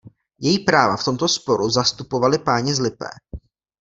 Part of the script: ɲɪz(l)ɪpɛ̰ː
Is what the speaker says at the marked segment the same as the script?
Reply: yes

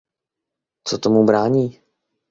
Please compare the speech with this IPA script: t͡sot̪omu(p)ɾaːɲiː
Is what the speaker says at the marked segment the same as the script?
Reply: no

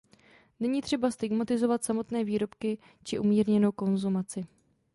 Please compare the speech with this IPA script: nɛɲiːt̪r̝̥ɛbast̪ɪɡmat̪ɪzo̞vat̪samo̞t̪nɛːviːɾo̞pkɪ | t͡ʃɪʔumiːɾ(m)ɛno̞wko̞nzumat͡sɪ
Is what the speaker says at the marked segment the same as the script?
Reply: no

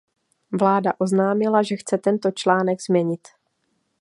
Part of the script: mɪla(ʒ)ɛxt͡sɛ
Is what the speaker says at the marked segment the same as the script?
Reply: yes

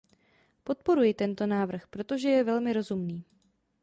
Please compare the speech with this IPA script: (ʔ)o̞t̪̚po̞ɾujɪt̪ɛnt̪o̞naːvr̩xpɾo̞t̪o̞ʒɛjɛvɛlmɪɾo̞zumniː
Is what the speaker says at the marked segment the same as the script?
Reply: no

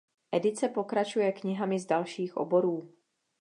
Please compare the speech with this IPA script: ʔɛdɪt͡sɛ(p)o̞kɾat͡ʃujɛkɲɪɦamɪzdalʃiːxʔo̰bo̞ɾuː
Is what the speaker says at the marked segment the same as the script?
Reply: yes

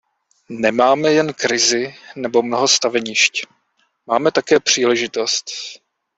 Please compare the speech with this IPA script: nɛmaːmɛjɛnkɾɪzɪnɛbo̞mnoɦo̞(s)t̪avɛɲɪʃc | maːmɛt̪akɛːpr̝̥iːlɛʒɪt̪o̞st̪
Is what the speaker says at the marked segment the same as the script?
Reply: yes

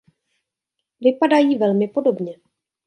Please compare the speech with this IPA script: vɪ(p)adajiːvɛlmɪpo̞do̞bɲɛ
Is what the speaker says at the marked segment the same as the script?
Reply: yes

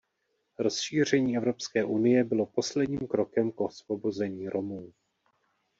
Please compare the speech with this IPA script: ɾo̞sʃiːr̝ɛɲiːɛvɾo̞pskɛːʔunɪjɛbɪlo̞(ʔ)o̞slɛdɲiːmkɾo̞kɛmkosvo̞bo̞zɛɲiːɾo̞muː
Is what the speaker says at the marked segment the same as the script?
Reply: no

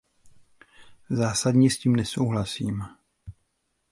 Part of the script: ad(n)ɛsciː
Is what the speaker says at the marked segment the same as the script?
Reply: no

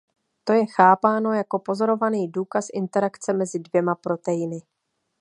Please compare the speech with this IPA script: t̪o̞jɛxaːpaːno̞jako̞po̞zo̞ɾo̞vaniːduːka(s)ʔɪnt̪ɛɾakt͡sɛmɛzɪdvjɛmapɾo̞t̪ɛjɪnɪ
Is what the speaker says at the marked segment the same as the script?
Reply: yes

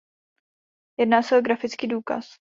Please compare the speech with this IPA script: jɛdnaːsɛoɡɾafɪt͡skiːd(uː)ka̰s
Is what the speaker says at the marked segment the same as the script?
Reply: yes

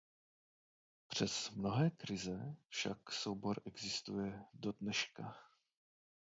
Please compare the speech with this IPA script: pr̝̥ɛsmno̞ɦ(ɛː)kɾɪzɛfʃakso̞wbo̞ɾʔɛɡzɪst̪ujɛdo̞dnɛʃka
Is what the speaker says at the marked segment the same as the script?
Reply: yes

